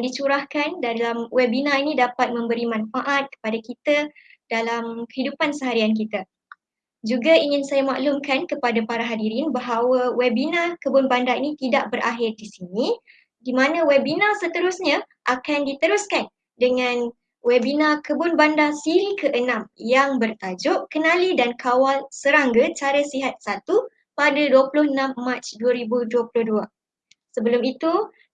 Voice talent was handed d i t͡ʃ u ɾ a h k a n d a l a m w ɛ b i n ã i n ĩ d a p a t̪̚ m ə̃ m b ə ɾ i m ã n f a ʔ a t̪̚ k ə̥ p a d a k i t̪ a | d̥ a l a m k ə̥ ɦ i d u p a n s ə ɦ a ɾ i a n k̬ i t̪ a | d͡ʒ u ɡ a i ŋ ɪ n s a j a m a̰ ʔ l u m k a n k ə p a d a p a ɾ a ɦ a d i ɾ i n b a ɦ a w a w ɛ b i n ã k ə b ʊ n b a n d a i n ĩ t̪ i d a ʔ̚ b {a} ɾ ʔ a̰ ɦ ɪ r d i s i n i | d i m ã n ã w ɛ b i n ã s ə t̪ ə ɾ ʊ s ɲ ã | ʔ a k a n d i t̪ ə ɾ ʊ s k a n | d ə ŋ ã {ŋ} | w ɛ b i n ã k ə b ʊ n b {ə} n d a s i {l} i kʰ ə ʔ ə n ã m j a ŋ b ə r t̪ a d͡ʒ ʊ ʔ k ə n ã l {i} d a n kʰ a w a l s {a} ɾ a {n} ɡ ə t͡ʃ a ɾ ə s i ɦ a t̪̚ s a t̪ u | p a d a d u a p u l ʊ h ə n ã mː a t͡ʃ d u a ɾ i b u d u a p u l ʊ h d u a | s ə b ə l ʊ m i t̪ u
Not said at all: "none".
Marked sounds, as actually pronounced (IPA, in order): ə, n, a, ɾ, i, ə, ŋ

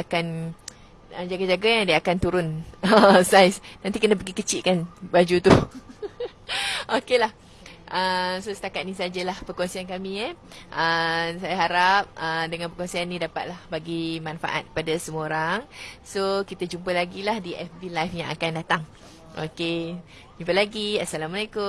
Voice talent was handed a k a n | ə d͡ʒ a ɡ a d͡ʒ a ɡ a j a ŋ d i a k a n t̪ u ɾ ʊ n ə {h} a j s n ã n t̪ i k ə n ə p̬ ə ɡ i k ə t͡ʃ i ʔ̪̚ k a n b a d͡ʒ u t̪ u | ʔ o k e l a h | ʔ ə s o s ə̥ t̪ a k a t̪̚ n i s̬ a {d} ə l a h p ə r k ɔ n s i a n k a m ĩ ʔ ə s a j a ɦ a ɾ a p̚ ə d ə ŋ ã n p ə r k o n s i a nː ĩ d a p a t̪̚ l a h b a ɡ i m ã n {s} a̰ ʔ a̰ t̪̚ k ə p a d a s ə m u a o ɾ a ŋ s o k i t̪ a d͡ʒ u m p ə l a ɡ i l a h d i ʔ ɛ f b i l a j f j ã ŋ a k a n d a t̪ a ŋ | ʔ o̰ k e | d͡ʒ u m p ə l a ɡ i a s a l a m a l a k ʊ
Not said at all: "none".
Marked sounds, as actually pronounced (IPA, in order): s, d͡ʒ, f

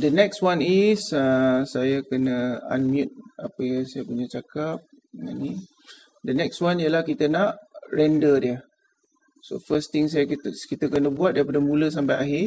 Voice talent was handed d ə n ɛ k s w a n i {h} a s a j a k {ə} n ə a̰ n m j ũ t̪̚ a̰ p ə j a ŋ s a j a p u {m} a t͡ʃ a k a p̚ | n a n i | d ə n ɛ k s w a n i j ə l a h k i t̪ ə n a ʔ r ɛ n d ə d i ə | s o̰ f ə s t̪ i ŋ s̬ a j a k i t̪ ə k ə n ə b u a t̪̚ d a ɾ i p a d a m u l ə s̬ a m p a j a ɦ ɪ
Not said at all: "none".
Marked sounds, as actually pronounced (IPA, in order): s, ə, ɲ

